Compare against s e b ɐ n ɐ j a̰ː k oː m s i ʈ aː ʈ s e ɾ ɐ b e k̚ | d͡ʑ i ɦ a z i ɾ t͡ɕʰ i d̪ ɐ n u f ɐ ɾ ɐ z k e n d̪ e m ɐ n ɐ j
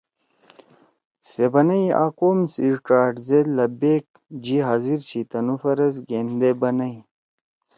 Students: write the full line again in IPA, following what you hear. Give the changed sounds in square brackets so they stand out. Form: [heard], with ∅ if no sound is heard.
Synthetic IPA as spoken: s e b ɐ n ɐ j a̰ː k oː m s i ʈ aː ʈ [z] e [l] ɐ b e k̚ | d͡ʑ i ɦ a z i ɾ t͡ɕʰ i [t̪] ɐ n u f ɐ ɾ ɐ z [ɡ] e n d̪ e [b] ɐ n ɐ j